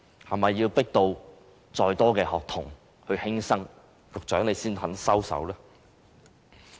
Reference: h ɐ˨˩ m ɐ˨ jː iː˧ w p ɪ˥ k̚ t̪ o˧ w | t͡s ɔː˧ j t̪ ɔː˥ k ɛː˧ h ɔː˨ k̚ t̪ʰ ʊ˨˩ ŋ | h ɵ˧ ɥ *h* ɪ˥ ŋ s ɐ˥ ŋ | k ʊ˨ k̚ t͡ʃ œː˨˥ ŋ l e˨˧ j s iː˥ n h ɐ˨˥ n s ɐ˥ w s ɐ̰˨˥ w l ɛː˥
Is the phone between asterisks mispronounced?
no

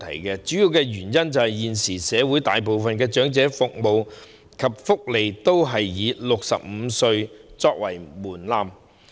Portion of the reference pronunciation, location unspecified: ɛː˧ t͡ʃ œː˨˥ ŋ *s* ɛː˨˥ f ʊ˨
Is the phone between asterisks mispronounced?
yes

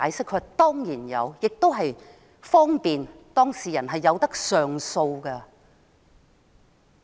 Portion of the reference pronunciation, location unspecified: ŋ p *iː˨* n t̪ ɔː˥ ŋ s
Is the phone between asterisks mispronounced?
no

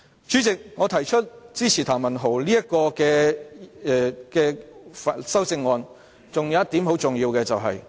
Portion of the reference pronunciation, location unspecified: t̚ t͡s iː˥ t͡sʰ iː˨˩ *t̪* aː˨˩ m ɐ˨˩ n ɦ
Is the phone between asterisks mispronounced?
yes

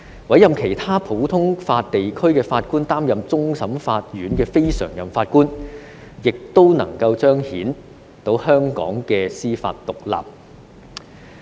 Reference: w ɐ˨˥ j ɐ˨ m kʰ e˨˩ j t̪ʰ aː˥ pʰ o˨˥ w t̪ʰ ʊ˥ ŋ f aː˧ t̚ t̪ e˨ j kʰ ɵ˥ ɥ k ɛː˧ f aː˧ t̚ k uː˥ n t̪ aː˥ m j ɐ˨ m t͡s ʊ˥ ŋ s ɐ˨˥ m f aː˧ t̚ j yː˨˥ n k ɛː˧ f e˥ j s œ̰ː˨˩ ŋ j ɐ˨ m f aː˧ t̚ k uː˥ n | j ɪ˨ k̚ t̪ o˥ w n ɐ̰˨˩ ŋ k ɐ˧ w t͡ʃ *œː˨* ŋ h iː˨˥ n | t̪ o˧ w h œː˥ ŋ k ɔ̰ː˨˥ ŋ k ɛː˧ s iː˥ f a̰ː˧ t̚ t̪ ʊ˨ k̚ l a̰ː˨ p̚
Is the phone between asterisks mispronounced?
yes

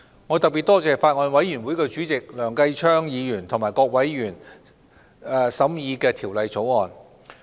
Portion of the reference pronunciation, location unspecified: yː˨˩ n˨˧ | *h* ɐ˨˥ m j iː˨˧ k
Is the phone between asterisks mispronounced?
yes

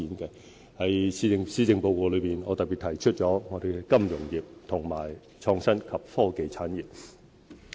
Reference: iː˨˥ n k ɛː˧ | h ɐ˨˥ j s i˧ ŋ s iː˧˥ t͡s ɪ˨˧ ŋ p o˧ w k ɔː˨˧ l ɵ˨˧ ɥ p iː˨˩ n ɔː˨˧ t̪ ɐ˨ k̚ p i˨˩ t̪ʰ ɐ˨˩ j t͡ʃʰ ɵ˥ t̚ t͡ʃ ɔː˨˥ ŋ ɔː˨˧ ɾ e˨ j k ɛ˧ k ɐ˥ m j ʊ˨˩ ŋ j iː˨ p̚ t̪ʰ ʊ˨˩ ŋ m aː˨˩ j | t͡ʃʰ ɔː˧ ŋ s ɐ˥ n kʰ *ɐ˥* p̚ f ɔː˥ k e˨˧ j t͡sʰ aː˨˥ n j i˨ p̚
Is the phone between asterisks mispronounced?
yes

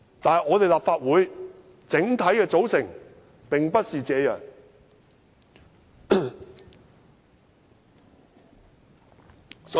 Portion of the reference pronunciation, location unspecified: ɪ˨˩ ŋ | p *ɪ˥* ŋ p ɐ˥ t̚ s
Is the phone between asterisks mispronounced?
yes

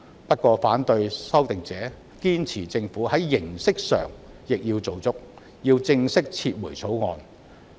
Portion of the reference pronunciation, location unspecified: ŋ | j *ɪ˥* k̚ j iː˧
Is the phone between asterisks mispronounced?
yes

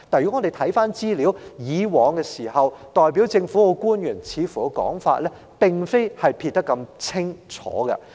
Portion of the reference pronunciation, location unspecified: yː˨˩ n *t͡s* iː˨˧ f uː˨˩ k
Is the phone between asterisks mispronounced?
yes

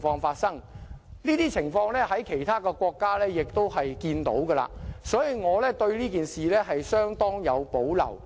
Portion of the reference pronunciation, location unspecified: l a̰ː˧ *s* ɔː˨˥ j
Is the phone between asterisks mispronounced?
no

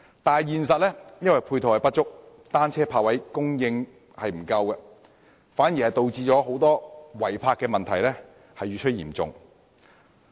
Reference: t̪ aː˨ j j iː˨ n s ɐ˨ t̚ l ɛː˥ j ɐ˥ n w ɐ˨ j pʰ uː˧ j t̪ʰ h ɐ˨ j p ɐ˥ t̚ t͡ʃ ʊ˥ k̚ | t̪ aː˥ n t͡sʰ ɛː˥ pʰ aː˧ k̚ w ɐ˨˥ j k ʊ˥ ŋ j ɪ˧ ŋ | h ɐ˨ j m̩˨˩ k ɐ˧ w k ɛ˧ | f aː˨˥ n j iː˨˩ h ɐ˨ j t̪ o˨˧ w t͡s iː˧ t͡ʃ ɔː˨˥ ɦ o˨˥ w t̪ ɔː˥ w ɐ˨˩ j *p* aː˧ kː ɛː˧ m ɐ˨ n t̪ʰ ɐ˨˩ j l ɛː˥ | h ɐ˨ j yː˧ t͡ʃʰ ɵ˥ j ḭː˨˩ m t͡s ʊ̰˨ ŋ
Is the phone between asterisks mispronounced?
yes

